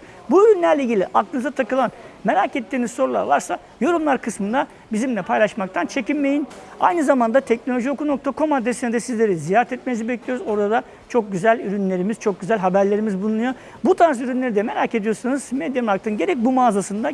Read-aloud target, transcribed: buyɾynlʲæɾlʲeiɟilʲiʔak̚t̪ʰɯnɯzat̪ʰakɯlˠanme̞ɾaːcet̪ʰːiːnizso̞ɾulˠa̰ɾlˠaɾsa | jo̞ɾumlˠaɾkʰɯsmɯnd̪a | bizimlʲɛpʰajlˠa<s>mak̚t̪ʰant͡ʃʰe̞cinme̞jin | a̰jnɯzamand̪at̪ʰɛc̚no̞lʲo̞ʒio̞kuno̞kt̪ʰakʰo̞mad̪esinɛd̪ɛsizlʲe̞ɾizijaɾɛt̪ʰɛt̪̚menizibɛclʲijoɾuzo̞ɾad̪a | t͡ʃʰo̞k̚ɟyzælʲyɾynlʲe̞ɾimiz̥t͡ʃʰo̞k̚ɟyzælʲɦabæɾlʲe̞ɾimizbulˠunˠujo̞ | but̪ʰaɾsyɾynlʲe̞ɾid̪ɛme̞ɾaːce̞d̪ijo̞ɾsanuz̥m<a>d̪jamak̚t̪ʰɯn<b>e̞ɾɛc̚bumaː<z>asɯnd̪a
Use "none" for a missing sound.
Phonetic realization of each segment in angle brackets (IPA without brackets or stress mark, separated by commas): ʃ, e, ɟ, z